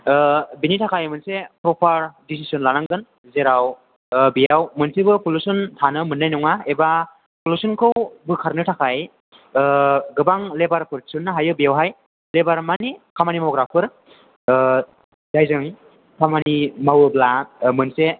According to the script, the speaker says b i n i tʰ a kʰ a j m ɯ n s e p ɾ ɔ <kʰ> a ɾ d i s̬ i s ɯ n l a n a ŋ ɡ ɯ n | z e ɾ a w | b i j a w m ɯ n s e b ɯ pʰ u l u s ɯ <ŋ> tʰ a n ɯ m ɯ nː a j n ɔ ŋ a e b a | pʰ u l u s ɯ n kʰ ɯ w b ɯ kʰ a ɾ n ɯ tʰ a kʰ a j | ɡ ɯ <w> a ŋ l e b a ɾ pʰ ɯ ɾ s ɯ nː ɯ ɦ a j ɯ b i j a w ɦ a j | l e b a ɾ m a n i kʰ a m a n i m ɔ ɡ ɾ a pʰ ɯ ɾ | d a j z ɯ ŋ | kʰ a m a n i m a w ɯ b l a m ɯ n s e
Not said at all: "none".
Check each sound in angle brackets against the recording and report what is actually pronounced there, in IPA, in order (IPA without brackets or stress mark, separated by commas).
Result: pʰ, n, b